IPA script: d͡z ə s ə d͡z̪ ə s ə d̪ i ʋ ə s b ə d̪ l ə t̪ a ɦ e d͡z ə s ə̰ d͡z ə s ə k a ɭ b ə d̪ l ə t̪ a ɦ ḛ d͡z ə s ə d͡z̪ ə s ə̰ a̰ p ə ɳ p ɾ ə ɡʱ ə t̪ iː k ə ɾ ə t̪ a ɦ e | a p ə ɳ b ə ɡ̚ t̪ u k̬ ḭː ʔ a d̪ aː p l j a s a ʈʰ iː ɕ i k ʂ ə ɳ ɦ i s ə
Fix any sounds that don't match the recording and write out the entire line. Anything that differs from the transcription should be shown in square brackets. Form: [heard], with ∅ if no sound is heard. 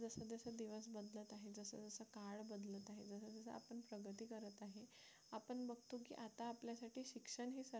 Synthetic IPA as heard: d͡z ə s ə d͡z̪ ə s ə d̪ i ʋ ə s b ə d̪ l ə t̪ a ɦ e d͡z ə s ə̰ d͡z ə s ə k a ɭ b ə d̪ l ə t̪ a ɦ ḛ d͡z ə s ə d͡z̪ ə s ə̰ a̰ p ə ɳ p ɾ ə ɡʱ ə t̪ iː k ə ɾ ə t̪ a ɦ e | a p ə ɳ b ə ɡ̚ t̪ u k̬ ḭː ʔ a [t̪] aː p l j a s a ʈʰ iː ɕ i k ʂ ə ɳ ɦ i s ə